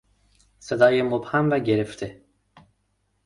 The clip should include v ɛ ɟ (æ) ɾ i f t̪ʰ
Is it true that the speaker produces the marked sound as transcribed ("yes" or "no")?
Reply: no